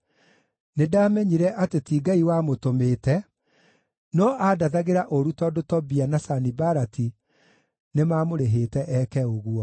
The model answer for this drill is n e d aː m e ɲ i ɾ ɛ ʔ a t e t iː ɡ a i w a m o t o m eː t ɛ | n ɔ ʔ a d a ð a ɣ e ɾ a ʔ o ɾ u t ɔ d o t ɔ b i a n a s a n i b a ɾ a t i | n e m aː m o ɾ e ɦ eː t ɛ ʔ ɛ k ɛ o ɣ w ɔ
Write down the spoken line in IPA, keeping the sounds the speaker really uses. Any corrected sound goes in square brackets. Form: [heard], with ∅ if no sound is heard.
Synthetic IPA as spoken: n e d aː m [ɛ] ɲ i ɾ ɛ ʔ a t e t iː ɡ a i w a m o t o m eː t ɛ | n ɔ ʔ a d a ð a ɣ e ɾ a ʔ o ɾ u t ɔ d o t ɔ b i a n a s a n i b a ɾ a t i | n e m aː m o ɾ e ɦ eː t ɛ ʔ ɛ k ɛ o ɣ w ɔ